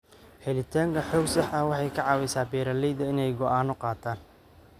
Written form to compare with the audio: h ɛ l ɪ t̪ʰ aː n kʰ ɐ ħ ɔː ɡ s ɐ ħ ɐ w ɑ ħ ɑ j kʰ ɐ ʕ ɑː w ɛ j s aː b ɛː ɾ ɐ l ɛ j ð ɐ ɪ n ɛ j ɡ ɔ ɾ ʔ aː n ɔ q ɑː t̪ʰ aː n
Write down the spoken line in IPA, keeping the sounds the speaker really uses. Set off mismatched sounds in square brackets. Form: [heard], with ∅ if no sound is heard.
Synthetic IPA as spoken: h ɛ l ɪ t̪ʰ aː [ŋ] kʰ ɐ ħ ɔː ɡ s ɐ ħ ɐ w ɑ ħ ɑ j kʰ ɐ ʕ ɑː w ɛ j s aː b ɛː ɾ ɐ l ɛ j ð ɐ ɪ n ɛ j ɡ ɔ [∅] ʔ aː n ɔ q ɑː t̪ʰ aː n